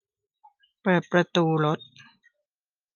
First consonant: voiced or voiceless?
voiceless